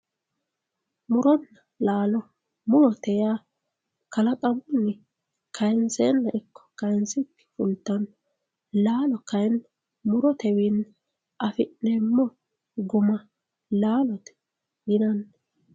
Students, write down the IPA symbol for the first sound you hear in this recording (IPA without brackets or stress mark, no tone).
m